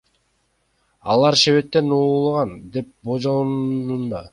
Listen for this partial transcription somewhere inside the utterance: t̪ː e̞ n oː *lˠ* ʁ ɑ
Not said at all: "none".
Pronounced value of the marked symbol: lˠ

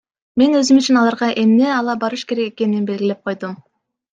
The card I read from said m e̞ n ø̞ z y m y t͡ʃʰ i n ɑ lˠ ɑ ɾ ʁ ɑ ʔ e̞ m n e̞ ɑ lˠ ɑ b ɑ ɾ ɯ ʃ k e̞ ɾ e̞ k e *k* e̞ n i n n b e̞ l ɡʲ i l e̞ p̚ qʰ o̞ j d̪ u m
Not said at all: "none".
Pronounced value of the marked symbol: k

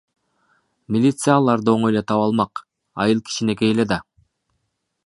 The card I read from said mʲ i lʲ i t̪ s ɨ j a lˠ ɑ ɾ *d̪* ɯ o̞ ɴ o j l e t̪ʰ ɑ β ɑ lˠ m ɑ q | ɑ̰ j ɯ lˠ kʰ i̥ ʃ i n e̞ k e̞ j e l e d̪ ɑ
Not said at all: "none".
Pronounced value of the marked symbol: d̪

